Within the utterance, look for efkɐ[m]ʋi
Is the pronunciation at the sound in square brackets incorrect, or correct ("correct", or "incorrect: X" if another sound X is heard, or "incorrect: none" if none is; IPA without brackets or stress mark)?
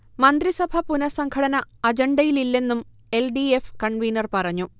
incorrect: ɳ